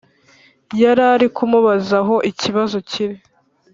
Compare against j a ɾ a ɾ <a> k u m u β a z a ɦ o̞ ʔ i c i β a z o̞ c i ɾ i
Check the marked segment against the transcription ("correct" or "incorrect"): incorrect